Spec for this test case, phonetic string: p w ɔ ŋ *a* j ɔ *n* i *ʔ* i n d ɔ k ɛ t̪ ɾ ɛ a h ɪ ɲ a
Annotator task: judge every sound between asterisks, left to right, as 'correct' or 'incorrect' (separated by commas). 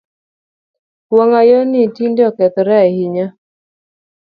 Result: correct, correct, incorrect